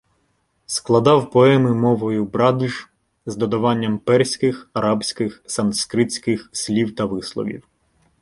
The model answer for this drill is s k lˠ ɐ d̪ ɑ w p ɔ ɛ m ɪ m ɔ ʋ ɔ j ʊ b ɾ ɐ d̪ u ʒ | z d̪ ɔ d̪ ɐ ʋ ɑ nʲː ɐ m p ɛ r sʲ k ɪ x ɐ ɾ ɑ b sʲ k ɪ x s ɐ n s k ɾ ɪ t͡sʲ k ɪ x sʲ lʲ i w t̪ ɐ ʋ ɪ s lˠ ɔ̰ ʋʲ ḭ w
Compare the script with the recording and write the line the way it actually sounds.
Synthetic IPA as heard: s k lˠ ɐ d̪ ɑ w p ɔ ɛ m ɪ m ɔ ʋ ɔ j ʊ b ɾ ɑ d̪ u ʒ | z d̪ ɔ d̪ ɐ ʋ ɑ nʲː ɐ m p ɛ r sʲ k ɪ x ɐ ɾ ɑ b sʲ k ɪ x s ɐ n s k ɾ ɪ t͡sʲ k ɪ x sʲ lʲ i w t̪ ɐ ʋ ɪ s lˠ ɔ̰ ʋʲ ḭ w